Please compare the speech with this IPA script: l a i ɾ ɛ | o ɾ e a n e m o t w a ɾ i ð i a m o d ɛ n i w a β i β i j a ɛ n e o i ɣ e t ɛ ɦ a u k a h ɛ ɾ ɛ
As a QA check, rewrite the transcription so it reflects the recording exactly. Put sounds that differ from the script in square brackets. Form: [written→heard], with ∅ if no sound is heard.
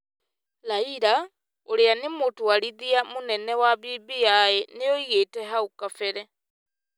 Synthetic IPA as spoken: l a i ɾ [ɛ→a] | o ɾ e a n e m o t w a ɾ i ð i a m o [d→n] ɛ n [i→ɛ] w a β i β i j a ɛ n e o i ɣ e t ɛ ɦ a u k a [h→f] ɛ ɾ ɛ